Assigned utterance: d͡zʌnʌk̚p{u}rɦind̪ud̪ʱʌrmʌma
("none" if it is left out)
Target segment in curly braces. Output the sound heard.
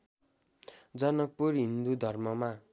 u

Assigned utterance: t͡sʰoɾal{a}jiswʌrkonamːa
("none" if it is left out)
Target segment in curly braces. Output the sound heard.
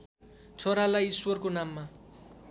a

